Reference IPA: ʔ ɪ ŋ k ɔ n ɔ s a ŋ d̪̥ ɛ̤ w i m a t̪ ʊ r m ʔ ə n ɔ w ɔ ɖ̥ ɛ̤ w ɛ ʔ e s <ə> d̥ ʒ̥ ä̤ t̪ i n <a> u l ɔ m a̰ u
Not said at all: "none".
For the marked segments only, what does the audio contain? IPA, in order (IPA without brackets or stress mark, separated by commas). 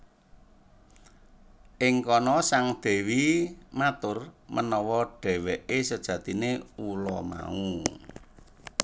ə, e